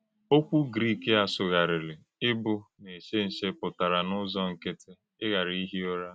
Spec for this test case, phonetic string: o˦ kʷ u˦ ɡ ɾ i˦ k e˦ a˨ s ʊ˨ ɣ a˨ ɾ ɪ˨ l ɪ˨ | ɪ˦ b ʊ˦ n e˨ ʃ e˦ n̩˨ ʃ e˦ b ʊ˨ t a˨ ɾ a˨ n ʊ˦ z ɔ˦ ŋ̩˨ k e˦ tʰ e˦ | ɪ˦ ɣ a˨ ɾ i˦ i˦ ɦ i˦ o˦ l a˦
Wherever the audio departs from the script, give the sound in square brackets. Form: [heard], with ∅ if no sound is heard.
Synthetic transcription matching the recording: o˦ kʷ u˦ ɡ ɾ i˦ k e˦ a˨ s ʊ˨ ɣ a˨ ɾ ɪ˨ l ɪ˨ | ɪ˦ b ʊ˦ n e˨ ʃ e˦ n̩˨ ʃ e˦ [p] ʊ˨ t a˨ ɾ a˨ n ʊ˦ z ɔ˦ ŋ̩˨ k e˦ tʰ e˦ | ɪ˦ ɣ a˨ ɾ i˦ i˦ ɦ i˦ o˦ [ɾ] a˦